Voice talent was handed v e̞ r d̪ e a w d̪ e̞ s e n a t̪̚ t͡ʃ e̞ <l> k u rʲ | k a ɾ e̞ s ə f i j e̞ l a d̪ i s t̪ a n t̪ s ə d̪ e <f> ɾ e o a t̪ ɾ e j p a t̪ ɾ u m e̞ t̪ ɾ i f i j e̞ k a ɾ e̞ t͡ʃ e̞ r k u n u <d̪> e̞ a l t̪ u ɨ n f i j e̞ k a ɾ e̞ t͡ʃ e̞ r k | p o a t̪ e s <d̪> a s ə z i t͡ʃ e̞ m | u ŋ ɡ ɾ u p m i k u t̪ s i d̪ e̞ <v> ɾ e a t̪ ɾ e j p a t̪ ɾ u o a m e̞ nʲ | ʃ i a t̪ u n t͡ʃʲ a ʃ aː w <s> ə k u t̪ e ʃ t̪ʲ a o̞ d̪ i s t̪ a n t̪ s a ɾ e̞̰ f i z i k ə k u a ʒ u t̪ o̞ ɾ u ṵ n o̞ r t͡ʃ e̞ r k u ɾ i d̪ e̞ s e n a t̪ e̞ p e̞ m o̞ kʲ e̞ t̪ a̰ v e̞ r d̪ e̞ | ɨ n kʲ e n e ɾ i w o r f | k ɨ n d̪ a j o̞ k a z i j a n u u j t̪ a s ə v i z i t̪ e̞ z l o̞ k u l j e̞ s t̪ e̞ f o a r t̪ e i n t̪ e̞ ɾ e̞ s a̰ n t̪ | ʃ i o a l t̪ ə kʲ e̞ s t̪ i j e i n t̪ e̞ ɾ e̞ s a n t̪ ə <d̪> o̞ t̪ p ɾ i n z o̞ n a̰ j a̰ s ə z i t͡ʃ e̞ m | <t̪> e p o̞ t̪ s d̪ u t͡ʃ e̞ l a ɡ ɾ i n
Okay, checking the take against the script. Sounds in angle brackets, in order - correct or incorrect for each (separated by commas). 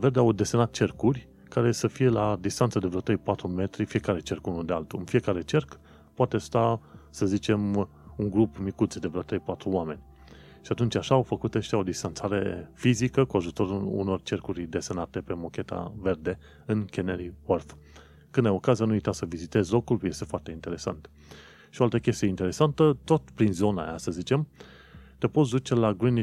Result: incorrect, incorrect, correct, incorrect, correct, incorrect, incorrect, correct